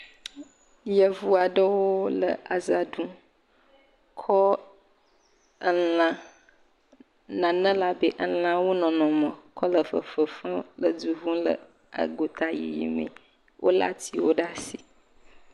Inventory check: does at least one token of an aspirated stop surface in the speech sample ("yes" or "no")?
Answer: yes